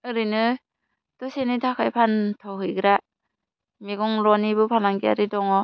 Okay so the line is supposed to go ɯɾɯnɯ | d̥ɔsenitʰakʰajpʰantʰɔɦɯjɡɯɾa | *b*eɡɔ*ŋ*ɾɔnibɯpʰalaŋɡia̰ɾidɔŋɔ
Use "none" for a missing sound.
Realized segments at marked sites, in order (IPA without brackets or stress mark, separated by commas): m, ŋ